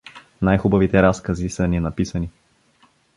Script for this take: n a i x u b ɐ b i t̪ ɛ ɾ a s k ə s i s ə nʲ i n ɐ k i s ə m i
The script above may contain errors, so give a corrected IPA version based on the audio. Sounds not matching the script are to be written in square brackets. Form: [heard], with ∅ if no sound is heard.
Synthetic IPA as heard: n a [j] x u b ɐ [v] i t̪ ɛ ɾ a s k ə [z] i s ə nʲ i n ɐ [p] i s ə [n] i